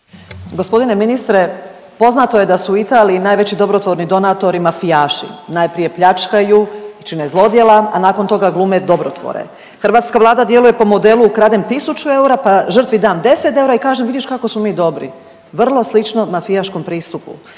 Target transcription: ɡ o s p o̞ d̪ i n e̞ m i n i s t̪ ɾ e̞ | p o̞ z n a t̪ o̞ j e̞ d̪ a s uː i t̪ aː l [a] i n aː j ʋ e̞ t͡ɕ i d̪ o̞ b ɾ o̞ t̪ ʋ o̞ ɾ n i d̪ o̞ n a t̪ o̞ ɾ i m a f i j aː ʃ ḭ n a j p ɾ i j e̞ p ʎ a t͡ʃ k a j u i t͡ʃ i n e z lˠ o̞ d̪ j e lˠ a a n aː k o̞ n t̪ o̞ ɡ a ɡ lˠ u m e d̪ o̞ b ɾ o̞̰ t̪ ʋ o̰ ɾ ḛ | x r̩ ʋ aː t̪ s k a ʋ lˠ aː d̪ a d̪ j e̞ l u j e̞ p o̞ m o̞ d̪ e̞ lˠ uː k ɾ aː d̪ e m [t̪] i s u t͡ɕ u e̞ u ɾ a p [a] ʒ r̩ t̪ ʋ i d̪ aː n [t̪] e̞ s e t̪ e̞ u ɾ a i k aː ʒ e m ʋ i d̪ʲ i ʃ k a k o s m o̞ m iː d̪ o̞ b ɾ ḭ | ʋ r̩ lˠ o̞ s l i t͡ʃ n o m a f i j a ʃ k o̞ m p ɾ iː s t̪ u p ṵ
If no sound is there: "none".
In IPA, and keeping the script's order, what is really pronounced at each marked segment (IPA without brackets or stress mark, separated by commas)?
i, t̪, a, d̪